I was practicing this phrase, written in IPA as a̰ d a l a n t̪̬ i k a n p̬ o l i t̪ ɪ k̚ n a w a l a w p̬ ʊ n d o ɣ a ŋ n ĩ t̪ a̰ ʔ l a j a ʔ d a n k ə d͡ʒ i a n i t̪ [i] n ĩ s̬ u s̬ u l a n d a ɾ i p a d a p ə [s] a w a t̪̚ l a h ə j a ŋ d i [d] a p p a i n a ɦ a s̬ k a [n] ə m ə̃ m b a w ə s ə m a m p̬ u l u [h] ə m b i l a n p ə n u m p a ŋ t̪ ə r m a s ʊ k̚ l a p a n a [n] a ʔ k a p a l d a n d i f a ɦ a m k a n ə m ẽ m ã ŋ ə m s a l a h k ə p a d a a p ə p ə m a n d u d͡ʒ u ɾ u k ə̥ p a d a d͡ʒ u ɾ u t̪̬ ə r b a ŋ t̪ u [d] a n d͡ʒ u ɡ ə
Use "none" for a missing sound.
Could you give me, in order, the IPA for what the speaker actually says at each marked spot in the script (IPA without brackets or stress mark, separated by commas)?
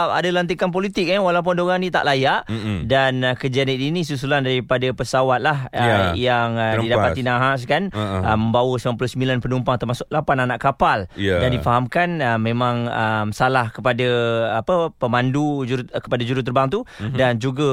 i, s, d, n, s, n, d